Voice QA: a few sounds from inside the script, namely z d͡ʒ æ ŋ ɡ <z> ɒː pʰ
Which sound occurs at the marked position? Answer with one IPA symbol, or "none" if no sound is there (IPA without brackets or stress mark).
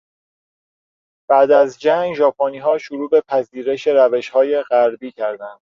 ʒ